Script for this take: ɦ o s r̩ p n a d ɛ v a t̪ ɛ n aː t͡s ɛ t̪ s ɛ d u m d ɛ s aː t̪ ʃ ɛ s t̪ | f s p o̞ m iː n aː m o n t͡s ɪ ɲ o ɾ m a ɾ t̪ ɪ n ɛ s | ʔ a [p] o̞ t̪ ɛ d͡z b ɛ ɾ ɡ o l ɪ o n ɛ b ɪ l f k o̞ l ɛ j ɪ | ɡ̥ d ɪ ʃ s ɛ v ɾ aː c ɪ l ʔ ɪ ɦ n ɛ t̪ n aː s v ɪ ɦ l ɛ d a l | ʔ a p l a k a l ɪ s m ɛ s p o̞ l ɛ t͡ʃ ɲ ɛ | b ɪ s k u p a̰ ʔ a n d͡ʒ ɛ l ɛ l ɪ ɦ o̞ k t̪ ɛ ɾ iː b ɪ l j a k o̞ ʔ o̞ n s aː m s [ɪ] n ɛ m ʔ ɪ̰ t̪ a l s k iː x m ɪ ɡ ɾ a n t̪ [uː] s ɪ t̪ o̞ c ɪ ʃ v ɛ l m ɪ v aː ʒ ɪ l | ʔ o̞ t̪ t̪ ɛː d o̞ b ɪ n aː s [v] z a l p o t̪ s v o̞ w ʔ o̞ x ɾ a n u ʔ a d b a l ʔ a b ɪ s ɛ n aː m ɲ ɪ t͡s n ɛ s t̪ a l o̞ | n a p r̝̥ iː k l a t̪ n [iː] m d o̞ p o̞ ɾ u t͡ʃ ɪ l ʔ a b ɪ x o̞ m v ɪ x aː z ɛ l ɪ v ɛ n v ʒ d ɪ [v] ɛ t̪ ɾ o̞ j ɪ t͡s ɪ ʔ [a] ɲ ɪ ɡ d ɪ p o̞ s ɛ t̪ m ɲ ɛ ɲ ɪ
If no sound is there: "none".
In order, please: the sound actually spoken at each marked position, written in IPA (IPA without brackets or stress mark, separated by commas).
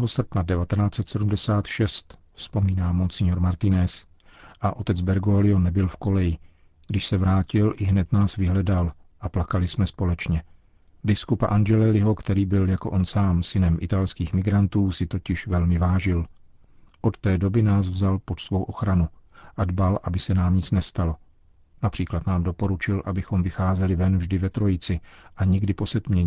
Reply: ʔ, ɪ, uː, v, aː, v, a